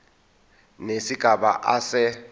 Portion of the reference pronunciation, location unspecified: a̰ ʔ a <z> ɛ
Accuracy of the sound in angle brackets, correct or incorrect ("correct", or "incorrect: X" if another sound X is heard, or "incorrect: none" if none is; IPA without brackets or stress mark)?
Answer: incorrect: s